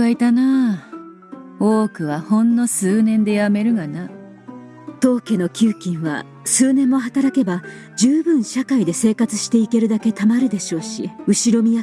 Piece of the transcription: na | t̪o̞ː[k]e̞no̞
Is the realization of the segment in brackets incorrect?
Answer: no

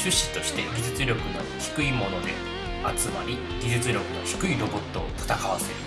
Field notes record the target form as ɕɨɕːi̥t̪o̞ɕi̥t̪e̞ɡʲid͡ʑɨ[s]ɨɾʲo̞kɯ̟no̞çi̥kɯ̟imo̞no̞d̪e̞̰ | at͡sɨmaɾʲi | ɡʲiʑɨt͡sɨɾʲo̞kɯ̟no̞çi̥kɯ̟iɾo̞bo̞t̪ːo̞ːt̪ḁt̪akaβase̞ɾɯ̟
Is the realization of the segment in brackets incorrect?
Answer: yes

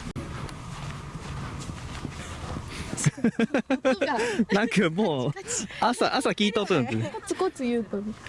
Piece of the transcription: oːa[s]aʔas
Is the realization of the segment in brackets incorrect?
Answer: no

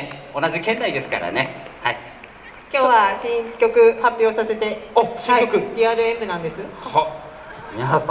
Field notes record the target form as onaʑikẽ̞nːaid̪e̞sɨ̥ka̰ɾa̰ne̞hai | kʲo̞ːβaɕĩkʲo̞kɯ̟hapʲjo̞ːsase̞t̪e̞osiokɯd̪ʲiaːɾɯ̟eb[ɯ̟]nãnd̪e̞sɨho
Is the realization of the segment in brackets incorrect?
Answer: no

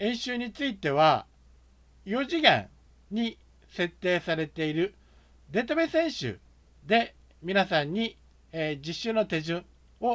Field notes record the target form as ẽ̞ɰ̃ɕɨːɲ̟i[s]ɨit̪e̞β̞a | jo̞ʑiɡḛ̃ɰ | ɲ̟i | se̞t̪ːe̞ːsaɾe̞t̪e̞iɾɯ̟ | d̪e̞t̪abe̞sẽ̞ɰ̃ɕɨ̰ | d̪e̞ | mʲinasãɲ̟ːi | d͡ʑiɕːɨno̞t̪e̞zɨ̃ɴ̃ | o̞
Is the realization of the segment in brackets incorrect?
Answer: yes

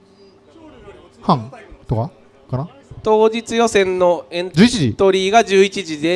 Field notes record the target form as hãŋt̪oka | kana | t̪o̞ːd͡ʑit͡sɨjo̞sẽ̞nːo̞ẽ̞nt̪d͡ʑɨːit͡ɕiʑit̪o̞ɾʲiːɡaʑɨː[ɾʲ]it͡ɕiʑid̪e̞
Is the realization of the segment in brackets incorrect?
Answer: yes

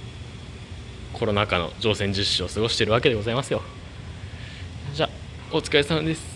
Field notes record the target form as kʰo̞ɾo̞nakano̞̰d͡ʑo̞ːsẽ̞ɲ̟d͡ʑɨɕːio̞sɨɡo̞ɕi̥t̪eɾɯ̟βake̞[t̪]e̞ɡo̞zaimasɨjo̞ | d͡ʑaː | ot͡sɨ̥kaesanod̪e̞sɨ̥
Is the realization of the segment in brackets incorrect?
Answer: yes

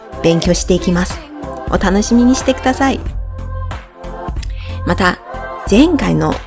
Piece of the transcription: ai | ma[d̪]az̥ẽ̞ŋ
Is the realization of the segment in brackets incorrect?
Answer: yes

